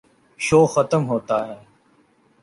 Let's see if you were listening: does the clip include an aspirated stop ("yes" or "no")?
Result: no